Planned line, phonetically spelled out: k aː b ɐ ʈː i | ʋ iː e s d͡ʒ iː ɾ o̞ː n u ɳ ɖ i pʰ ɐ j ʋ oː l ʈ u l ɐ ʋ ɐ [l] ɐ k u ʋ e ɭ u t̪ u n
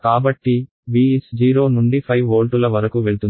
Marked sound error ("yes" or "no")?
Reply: yes